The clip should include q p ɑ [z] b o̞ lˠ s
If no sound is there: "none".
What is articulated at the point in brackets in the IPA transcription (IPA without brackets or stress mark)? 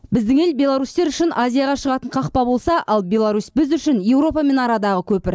none